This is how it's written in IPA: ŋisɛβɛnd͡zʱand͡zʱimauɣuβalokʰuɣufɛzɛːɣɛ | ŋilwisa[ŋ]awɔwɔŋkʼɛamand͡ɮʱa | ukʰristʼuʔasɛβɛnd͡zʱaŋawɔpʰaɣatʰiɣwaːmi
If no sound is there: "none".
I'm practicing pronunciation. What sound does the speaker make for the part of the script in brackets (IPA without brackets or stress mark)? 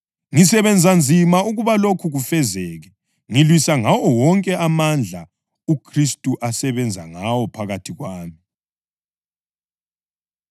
ŋ